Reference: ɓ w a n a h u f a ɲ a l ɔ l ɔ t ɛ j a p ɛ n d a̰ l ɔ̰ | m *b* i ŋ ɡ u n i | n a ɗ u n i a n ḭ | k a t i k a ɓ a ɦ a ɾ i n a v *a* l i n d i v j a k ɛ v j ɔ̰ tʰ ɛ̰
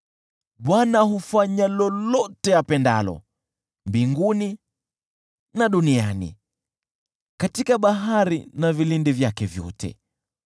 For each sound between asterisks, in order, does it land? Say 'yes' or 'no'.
yes, no

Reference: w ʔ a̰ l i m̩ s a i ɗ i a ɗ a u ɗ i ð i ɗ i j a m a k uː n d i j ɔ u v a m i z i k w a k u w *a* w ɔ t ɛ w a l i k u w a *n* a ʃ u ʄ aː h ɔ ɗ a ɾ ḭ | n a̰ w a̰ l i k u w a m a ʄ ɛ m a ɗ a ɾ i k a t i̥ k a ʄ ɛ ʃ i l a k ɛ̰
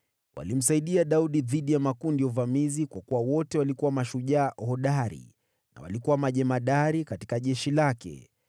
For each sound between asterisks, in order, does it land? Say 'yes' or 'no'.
yes, no

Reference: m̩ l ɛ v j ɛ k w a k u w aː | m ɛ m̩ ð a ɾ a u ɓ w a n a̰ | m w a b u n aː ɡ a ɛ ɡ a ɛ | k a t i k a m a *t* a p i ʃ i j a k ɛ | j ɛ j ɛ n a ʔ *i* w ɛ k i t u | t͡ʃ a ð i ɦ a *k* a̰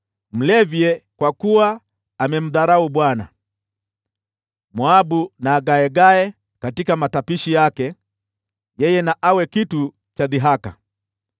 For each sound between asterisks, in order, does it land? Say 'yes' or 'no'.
yes, no, yes

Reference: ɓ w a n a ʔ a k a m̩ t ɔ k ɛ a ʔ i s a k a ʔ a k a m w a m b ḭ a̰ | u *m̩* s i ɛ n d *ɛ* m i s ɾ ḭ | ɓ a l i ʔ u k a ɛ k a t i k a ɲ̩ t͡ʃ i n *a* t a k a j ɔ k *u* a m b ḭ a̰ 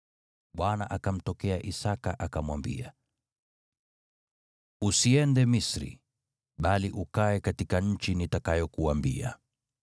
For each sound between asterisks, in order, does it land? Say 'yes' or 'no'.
no, yes, no, yes

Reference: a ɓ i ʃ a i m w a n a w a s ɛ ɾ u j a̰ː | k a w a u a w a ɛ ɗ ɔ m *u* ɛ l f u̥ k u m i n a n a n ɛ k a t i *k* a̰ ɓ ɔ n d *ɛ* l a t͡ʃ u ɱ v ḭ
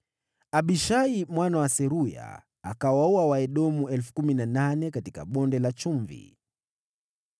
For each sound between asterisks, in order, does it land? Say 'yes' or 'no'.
yes, yes, yes

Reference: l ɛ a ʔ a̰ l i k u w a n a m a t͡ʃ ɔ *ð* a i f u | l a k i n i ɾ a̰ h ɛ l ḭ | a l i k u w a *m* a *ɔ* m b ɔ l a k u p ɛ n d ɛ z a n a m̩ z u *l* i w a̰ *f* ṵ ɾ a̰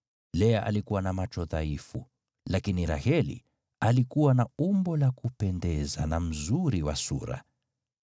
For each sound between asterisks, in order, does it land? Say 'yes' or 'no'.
yes, no, no, no, no

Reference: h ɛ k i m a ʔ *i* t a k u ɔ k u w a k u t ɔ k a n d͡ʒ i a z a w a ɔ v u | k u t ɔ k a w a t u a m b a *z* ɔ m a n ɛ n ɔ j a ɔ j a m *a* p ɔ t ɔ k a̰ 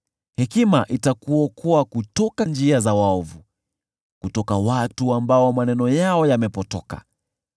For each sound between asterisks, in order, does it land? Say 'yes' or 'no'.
yes, no, no

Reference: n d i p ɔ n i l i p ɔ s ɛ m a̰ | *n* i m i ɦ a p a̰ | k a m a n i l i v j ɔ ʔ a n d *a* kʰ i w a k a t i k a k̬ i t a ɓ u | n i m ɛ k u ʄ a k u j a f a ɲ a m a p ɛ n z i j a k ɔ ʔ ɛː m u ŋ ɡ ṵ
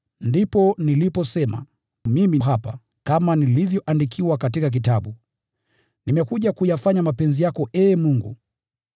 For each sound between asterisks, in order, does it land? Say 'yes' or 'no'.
no, no

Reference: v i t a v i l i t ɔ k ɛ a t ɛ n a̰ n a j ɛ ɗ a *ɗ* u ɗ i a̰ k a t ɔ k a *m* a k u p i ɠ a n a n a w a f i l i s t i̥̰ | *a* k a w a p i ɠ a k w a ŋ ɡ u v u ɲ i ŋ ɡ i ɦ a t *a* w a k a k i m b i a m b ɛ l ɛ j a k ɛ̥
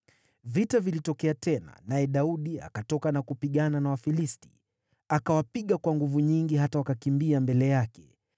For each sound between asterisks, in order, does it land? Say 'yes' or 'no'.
no, no, yes, yes

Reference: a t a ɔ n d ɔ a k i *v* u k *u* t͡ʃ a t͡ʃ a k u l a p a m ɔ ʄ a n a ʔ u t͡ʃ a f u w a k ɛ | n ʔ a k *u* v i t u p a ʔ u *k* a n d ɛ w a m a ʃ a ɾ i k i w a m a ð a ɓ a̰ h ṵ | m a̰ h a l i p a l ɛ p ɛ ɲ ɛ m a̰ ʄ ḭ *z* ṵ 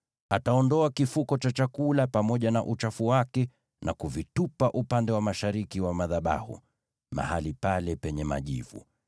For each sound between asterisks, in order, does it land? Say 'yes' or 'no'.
no, no, yes, no, no

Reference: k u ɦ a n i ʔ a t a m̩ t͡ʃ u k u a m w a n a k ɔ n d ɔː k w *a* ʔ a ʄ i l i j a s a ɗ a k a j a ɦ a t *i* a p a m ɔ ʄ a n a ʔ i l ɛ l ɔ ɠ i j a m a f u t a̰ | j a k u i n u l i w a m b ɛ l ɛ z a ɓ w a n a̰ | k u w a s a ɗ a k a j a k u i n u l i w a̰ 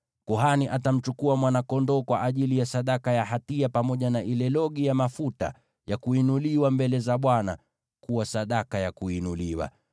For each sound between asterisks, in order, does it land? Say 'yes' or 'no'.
yes, yes

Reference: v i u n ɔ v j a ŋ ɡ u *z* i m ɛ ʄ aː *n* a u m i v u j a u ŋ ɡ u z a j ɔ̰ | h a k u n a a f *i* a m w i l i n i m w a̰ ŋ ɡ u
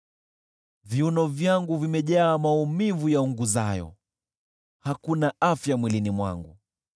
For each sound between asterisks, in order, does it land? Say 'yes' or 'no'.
no, no, no

